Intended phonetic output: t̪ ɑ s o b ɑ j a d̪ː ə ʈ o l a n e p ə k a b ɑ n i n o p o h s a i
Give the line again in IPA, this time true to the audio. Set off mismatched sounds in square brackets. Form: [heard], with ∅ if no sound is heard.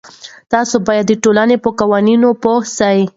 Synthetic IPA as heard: t̪ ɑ s o b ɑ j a d̪ː ə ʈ o l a n e p ə k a [w] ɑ n i n o p o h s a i

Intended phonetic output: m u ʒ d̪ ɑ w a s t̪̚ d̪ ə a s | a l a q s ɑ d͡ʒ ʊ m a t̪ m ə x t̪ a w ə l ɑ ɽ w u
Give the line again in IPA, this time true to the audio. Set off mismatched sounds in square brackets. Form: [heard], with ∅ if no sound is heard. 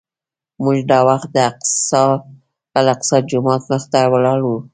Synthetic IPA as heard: m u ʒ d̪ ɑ w a [x] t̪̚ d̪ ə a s | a l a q s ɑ d͡ʒ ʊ m [ɑ] t̪ m ə x t̪ a w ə l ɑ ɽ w u

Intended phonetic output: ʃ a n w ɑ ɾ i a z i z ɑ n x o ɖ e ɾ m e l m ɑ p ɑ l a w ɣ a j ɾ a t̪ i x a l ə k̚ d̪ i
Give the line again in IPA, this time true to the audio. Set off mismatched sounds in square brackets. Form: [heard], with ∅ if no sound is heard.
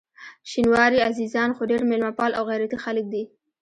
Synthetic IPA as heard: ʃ [i] n w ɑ ɾ i a z i z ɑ n x o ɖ e ɾ m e l m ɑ p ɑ l a w ɣ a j ɾ a t̪ i x a l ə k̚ d̪ i

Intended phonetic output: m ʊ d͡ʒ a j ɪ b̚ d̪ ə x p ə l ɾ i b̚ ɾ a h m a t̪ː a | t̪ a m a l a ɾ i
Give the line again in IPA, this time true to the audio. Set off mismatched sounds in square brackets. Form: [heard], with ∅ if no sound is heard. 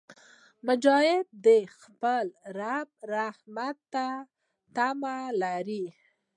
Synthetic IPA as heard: m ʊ d͡ʒ [ɑ] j ɪ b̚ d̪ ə x p ə l ɾ [a] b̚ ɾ a h m a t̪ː a | t̪ a m a l a ɾ i

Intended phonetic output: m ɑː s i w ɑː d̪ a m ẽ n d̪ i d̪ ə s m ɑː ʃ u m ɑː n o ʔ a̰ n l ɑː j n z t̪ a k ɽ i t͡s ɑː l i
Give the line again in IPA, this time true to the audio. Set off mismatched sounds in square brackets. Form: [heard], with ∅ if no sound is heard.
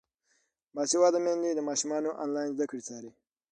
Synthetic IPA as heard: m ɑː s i w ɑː d̪ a m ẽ n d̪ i d̪ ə [∅] m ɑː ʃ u m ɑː n o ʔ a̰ n l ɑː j n z [d̪] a k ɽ i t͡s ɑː [ɾ] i

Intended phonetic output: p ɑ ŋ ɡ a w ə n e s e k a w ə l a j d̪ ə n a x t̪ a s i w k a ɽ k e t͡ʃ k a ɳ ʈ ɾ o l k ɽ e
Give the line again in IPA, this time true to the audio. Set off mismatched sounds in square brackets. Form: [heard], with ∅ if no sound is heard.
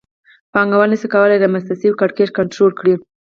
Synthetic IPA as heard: p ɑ ŋ ɡ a w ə n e s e k a w ə l a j d̪ ə [m] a [s] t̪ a s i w k a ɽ k e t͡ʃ k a ɳ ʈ ɾ o l k ɽ [i]

